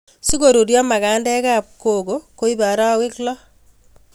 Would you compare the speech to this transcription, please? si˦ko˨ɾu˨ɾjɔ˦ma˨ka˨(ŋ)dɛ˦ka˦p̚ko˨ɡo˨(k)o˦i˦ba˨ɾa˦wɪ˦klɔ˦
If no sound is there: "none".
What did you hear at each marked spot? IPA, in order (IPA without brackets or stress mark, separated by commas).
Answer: n, k